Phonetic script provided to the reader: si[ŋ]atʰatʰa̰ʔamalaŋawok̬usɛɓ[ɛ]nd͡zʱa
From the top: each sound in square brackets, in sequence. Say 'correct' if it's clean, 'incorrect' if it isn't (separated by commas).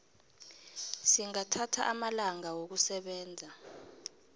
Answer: correct, incorrect